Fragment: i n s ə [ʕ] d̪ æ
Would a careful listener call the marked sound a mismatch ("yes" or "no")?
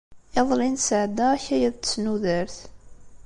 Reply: no